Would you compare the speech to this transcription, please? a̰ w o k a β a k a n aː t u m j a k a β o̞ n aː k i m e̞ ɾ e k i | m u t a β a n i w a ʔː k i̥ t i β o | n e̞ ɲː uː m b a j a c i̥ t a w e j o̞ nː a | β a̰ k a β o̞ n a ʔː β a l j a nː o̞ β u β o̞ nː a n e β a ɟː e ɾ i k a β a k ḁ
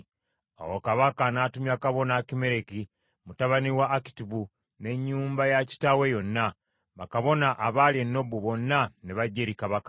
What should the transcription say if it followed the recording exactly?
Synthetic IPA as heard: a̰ w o k a β a k a n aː t u m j a k a β o̞ n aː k i m e̞ ɾ e k i | m u t a β a n i w a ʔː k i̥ t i β u | n e̞ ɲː uː m b a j a c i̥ t a w e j o̞ nː a | β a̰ k a β o̞ n a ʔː β a l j e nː o̞ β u β o̞ nː a n e β a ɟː e ɾ i k a β a k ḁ